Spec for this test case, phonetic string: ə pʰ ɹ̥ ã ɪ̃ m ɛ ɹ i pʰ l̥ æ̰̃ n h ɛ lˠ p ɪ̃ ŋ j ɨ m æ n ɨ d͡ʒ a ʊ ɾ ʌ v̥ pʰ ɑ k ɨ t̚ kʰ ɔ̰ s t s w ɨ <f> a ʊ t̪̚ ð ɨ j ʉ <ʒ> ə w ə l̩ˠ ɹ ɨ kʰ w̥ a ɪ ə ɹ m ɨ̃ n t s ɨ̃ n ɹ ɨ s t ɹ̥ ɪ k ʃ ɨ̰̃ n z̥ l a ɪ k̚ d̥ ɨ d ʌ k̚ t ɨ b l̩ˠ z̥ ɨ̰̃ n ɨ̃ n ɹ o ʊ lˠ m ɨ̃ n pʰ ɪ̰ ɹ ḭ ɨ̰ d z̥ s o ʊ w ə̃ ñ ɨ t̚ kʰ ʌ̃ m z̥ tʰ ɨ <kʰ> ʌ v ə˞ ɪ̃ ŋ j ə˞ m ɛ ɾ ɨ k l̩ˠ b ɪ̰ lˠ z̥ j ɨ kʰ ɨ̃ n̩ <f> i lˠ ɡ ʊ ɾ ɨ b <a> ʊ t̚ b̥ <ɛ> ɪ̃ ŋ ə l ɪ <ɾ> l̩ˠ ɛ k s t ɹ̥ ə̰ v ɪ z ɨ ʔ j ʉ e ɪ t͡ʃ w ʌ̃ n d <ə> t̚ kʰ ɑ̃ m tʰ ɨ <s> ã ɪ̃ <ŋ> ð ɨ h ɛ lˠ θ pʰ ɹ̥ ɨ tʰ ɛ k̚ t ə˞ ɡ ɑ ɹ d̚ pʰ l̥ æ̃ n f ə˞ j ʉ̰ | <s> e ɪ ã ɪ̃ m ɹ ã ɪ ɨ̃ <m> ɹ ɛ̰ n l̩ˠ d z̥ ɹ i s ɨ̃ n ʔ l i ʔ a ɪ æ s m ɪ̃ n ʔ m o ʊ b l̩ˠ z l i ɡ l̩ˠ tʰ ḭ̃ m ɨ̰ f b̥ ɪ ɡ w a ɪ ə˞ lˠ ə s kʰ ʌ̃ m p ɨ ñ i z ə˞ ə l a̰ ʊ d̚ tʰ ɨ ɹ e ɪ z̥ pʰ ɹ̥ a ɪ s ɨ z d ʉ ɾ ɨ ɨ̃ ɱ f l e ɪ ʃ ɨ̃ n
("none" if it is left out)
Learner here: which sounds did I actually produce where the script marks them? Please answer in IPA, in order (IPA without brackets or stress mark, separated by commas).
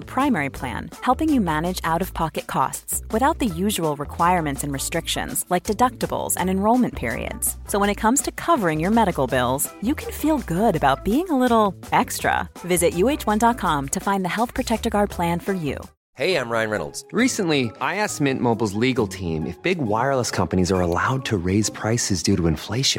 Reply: θ, ʒ, kʰ, f, a, i, ɾ, ɑ, f, n, h, n